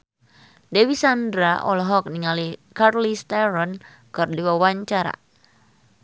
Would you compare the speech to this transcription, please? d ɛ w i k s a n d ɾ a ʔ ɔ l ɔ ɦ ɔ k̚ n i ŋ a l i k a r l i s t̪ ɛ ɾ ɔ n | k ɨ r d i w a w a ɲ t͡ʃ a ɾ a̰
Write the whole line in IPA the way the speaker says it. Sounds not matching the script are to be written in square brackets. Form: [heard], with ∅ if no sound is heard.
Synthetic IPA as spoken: d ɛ w i [∅] s a n d ɾ a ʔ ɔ l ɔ ɦ ɔ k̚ n i ŋ a l i k a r l i s t̪ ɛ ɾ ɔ n | k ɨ r d i w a w a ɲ t͡ʃ a ɾ a̰